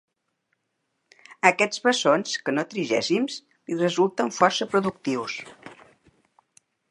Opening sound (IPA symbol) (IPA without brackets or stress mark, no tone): ə